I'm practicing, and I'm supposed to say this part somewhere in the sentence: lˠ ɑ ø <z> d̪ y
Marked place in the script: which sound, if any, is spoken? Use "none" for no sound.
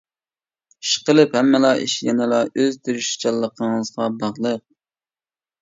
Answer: z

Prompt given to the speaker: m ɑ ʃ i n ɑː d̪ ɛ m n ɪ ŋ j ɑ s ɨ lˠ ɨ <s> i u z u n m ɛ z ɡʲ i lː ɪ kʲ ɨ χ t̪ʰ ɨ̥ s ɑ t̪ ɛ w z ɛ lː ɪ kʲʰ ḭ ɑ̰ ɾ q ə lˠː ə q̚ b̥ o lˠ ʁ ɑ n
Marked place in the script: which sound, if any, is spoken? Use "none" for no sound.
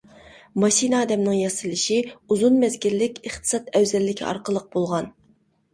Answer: ʃ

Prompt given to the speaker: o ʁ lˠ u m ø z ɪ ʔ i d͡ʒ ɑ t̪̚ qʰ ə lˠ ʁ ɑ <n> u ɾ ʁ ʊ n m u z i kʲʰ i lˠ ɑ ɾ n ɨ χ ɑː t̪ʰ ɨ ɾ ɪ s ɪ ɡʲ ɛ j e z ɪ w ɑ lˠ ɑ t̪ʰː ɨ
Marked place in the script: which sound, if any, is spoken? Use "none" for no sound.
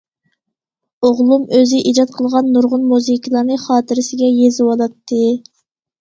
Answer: nː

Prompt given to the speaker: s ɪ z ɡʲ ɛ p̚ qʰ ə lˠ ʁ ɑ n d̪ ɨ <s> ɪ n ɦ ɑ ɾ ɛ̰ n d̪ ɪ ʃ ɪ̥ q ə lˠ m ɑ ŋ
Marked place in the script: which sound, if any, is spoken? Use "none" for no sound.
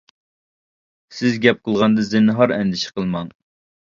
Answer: z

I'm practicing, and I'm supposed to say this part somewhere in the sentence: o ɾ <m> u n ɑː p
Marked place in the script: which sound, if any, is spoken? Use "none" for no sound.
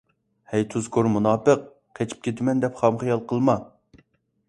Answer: m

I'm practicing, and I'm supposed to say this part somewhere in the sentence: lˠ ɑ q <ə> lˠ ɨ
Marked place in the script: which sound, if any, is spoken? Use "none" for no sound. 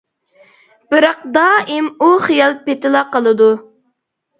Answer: ə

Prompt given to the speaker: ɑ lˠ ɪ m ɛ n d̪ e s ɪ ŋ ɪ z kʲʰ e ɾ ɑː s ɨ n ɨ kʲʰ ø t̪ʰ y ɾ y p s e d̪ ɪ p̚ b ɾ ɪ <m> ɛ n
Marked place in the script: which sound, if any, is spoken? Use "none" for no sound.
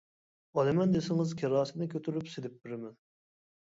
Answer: m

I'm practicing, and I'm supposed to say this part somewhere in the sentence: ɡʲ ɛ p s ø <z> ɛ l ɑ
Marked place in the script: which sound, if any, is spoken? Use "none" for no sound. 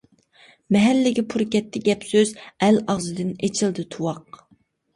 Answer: z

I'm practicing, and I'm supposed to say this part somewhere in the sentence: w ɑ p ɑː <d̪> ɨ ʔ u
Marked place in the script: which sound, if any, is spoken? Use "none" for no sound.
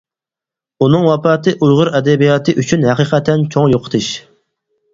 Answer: t̪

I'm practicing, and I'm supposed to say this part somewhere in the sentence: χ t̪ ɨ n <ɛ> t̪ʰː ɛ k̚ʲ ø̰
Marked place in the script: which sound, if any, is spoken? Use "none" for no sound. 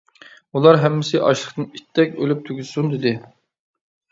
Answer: i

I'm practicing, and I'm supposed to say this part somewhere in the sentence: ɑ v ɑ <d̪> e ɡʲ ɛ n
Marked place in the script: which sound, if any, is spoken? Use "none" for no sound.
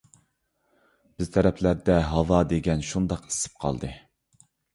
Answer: d̪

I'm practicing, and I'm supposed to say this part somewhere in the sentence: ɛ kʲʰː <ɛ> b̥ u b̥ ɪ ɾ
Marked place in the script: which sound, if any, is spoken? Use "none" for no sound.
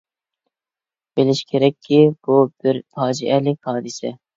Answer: i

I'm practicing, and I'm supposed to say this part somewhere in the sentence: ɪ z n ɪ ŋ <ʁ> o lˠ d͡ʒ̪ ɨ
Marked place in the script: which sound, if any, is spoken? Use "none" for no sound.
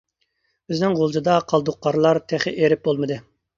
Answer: ʁ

